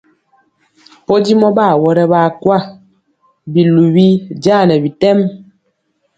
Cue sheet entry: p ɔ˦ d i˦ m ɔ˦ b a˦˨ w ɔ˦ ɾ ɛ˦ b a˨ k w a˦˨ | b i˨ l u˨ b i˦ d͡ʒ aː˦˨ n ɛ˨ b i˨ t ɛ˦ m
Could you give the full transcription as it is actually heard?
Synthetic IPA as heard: p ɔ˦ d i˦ m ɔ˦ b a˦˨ w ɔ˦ ɾ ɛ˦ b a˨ k w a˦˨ | b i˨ l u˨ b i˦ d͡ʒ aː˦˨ n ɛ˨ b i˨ t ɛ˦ m

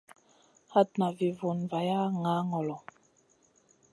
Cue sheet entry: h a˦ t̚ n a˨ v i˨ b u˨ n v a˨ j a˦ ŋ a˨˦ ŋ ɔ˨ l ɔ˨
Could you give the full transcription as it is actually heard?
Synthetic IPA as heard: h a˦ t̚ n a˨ v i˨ v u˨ n v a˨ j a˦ ŋ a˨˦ ŋ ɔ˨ l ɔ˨

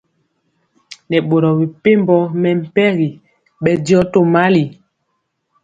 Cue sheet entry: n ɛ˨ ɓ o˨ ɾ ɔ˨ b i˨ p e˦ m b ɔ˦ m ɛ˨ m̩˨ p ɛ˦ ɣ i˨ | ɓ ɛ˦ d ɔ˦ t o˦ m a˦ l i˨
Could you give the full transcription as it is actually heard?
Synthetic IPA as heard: n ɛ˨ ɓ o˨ ɾ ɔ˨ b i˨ p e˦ m b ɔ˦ m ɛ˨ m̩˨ p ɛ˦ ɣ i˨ | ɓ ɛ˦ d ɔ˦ t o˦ m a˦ l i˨

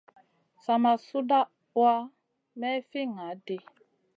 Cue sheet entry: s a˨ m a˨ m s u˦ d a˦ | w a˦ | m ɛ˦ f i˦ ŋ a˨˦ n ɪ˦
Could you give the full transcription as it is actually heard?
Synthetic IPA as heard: s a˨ m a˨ s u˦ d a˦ | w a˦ | m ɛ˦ f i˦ ŋ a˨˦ d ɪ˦

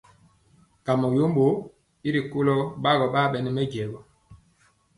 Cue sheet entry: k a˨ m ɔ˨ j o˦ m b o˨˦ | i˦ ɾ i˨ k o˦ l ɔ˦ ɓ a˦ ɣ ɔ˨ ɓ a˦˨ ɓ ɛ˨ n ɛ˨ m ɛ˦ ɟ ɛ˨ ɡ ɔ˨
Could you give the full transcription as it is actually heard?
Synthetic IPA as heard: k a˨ m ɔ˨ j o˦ m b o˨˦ | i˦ ɾ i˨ k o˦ l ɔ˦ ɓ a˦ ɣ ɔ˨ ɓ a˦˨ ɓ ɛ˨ n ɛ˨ m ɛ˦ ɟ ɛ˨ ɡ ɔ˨

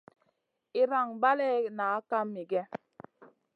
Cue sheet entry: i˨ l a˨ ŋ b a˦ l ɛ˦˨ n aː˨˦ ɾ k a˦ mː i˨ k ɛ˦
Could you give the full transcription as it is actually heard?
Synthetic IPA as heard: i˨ ɾ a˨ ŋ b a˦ l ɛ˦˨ n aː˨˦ k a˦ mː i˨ ɡ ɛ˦

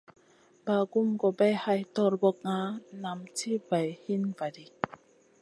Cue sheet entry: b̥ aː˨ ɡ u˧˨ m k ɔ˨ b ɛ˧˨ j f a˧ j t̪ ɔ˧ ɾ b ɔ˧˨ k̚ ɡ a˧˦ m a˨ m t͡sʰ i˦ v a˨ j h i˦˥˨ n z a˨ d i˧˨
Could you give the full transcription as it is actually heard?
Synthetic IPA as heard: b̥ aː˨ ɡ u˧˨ m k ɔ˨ b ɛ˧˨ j h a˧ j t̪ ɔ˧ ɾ b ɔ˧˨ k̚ ŋ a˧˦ n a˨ m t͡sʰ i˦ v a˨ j h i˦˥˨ n v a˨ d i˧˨

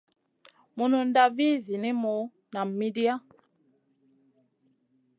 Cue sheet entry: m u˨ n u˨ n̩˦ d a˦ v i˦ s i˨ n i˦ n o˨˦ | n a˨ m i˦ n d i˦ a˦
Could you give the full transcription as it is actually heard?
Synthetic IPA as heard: m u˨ n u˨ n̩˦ d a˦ v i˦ z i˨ n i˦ m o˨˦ | n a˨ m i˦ d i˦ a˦

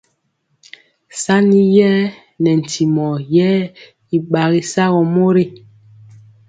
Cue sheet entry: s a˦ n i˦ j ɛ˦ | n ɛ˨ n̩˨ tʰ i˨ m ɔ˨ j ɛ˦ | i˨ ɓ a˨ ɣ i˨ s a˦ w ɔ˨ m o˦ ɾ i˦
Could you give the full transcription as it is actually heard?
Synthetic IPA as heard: s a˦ n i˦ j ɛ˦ | n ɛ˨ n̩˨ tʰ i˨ m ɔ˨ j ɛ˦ | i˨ ɓ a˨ ɣ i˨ s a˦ ɣ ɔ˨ m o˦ ɾ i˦

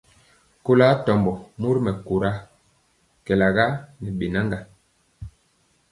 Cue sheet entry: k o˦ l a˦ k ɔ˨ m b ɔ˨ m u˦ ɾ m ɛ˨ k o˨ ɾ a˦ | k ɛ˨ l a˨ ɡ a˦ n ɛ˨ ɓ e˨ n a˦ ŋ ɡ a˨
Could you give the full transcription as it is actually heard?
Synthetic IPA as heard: k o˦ l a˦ t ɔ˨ m b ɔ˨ m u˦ ɾ m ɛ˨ k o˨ ɾ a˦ | k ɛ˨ l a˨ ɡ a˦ n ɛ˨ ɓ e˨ n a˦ ŋ ɡ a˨

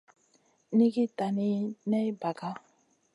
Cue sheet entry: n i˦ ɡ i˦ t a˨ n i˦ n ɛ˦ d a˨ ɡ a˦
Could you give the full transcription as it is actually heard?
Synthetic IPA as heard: n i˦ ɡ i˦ t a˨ n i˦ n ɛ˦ b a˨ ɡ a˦

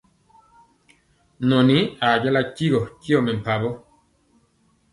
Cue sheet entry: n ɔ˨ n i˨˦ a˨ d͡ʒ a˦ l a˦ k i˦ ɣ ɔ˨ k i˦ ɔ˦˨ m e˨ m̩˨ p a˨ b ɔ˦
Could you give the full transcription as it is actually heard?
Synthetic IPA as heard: n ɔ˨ n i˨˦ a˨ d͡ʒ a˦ l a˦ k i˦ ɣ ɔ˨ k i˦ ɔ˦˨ m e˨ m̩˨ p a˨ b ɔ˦

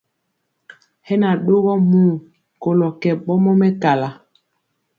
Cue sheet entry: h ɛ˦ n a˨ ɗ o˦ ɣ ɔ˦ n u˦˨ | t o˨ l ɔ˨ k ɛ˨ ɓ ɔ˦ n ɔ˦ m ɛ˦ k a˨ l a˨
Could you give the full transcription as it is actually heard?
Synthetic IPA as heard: h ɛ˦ n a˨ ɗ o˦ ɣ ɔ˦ m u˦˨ | k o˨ l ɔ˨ k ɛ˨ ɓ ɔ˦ m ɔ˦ m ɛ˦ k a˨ l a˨

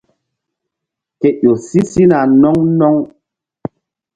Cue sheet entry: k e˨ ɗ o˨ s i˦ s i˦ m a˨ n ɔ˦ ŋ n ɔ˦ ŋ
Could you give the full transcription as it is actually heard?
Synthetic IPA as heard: k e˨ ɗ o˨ s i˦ s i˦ n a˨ n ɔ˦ ŋ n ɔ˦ ŋ

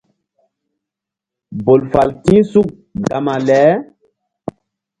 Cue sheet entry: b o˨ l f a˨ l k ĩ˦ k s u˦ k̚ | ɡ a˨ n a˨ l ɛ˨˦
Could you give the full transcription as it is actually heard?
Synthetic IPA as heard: b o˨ l f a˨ l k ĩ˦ s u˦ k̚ | ɡ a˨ m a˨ l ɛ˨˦

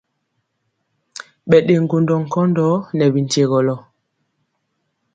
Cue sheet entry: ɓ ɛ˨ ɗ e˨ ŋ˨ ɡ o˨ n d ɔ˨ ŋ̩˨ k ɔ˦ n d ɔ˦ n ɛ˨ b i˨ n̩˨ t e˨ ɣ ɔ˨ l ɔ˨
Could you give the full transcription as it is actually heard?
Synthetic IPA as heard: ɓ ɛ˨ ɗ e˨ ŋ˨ ɡ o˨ n d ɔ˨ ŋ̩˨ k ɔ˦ n d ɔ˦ n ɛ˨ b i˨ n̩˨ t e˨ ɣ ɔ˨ l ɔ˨

